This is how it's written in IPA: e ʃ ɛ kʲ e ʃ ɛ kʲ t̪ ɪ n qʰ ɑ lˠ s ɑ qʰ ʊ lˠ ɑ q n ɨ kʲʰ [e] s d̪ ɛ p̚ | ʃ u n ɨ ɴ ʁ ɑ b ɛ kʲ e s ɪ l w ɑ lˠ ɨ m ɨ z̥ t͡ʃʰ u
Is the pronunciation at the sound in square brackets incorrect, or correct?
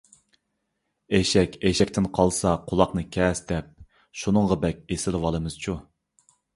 incorrect